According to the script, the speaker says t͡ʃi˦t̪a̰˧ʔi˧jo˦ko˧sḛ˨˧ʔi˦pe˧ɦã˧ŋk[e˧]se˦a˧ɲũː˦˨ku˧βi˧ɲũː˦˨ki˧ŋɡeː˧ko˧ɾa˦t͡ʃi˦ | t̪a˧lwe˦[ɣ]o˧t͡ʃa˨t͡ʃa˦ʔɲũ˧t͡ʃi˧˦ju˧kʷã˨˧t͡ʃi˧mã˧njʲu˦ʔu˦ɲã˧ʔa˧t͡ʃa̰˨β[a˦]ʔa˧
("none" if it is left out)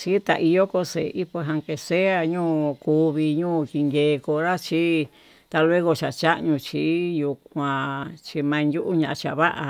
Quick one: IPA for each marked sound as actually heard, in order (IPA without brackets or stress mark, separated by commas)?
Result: e˧, ɣ, a˦